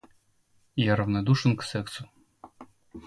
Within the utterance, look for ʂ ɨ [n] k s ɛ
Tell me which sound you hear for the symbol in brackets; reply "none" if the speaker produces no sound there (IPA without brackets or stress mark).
n